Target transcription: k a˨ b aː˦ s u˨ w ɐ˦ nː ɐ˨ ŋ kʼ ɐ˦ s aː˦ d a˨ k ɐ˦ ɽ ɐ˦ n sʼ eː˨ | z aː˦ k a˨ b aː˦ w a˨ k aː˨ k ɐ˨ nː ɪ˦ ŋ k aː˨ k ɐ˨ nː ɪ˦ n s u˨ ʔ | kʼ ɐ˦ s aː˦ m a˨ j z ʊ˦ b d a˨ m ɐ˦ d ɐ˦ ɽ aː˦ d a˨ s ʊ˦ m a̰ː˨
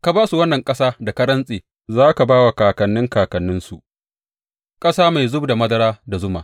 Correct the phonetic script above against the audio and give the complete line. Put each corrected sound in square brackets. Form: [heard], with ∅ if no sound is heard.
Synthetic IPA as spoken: k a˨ b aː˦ s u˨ w ɐ˦ nː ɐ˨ ŋ kʼ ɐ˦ s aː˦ d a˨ k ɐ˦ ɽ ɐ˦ n sʼ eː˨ | z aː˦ k a˨ b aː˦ w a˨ k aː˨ k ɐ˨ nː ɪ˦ ŋ k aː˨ k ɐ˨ nː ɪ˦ n s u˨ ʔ | kʼ ɐ˦ s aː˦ m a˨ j z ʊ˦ b d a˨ m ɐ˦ d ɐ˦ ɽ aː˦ d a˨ [z] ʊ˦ m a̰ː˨